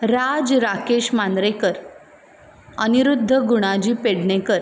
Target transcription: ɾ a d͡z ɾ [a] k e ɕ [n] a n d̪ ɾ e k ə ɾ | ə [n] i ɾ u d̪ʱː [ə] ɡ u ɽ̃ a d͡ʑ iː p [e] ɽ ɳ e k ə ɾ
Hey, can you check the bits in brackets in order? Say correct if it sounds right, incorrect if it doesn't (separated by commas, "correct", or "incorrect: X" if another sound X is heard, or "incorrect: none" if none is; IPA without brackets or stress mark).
correct, incorrect: m, correct, correct, correct